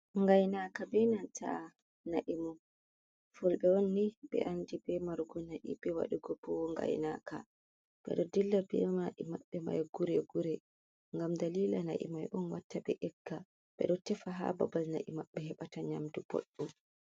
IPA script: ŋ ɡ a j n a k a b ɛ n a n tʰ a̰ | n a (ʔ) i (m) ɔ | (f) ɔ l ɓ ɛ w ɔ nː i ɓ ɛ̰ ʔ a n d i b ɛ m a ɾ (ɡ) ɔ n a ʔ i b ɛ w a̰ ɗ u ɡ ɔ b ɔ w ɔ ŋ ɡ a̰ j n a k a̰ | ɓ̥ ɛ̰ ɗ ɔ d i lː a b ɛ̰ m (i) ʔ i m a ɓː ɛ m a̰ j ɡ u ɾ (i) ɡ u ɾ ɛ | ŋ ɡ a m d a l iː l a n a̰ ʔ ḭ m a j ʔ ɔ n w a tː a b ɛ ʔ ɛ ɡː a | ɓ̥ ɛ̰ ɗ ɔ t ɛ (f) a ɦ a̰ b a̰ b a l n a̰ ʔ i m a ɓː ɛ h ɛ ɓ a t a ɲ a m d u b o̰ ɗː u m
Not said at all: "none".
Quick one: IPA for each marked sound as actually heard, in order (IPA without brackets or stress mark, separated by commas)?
ʔ, m, f, ɡ, a, ɛ, f